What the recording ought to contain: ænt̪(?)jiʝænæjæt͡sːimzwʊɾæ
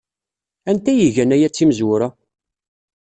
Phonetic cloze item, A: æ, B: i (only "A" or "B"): A